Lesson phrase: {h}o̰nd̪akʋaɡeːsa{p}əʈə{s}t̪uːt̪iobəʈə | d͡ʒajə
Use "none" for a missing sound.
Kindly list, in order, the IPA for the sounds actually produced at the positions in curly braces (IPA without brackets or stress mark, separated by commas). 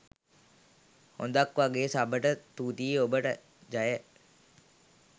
h, b, none